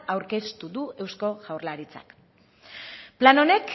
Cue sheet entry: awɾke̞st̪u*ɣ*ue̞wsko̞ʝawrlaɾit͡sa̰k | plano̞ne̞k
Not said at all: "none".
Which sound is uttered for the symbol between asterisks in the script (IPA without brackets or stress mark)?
ð